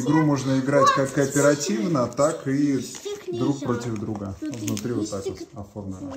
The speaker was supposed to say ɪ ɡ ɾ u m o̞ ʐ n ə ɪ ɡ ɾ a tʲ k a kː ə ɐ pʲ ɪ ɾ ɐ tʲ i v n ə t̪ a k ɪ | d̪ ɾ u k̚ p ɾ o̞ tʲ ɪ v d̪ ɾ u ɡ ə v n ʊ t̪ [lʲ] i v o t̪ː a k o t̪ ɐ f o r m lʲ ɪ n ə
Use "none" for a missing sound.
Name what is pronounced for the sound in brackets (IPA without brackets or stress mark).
ɾʲ